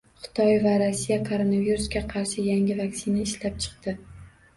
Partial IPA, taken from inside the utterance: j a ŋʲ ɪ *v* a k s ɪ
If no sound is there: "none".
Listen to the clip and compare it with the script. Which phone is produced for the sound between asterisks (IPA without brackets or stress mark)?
v